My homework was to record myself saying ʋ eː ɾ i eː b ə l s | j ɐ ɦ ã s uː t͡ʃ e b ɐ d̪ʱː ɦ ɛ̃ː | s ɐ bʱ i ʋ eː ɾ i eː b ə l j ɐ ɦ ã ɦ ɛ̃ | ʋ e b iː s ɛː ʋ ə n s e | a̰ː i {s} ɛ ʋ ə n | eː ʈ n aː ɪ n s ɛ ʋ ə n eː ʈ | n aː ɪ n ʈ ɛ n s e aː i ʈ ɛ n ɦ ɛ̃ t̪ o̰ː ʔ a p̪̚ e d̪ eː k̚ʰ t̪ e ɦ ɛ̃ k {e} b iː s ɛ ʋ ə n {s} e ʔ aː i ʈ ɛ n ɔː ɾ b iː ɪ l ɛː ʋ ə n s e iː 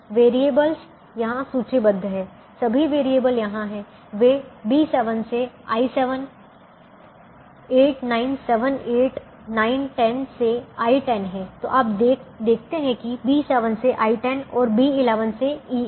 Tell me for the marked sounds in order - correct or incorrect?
correct, incorrect: i, correct

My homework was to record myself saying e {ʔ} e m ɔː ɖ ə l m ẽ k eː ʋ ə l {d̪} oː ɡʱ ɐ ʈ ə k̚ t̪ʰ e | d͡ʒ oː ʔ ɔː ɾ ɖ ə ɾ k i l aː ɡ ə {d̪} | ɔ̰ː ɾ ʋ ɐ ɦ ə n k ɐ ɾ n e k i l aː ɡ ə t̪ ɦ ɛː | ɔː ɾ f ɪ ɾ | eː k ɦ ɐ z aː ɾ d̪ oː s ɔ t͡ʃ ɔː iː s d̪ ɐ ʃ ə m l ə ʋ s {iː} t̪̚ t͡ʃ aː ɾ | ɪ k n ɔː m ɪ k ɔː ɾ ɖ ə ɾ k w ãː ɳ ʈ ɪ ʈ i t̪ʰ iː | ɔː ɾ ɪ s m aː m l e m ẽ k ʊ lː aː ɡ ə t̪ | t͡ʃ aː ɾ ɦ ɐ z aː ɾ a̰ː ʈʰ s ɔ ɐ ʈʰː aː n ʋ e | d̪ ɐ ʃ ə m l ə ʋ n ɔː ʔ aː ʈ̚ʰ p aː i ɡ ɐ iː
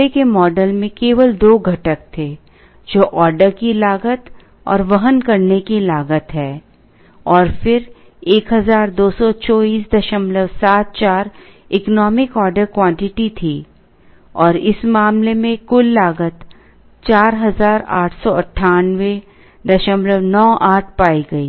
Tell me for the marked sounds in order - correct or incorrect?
incorrect: k, correct, incorrect: t̪, incorrect: aː

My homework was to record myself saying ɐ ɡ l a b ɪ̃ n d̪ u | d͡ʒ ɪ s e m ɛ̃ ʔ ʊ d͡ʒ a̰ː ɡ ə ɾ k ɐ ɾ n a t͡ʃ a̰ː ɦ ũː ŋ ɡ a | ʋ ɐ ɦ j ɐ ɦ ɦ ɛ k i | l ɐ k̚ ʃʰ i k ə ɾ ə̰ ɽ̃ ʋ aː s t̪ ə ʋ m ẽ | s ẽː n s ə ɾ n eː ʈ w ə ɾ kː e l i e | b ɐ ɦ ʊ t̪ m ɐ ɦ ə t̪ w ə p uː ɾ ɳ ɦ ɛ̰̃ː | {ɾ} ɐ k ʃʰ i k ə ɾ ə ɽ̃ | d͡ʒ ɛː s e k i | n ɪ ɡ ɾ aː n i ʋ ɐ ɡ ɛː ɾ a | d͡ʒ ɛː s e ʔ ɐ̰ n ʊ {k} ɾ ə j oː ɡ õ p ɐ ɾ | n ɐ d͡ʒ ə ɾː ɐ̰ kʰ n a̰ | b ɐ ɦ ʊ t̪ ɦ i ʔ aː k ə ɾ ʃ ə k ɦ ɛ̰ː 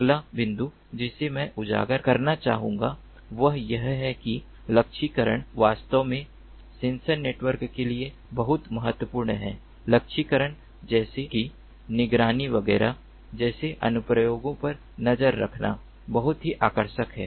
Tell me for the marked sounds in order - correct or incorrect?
incorrect: l, incorrect: p

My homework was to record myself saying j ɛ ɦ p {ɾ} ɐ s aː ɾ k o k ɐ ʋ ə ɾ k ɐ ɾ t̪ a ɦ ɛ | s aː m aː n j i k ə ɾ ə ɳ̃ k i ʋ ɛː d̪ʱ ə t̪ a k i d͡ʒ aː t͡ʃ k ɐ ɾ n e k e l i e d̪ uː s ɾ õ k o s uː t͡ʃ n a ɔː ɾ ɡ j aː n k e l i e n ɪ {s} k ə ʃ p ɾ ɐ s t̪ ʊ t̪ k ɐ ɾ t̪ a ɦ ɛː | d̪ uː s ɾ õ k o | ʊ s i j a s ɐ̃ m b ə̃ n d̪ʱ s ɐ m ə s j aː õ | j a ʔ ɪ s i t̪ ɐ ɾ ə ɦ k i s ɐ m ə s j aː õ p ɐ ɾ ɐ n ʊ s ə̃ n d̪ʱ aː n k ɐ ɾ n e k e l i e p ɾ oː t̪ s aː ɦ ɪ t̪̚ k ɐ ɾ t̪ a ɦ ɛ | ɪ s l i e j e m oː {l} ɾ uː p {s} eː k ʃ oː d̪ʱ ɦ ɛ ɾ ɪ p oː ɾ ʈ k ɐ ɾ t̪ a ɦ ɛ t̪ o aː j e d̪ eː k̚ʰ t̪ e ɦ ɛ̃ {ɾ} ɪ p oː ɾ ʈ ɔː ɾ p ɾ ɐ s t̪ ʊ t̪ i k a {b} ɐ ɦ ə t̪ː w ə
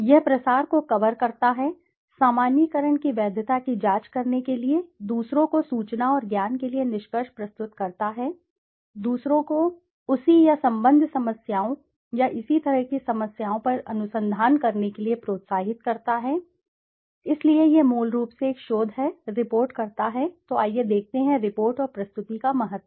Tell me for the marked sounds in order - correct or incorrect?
correct, incorrect: ʃ, correct, correct, correct, incorrect: m

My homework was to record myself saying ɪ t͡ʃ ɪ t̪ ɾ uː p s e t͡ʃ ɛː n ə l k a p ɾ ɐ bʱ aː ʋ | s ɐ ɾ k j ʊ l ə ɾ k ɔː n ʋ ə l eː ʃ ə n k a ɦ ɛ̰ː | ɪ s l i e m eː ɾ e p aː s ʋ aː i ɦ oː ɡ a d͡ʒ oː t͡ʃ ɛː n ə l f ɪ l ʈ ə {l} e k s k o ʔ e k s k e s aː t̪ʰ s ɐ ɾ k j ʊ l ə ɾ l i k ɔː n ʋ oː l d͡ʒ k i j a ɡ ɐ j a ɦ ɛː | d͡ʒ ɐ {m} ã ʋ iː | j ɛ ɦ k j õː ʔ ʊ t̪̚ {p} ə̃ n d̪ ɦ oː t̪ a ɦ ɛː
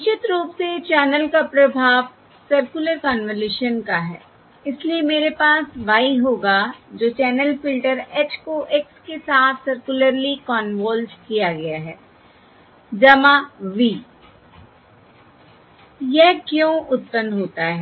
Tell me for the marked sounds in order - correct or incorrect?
incorrect: ɾ, correct, correct

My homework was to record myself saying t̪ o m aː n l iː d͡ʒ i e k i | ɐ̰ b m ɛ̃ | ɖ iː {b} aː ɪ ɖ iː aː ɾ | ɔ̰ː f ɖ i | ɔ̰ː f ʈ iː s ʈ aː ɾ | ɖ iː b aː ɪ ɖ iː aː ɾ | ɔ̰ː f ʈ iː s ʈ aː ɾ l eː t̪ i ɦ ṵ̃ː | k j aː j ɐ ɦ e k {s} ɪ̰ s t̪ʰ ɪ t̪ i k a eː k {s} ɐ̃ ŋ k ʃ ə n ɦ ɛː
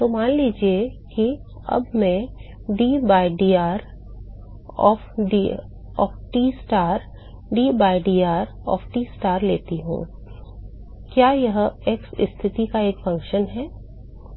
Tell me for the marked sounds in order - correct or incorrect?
correct, correct, incorrect: f

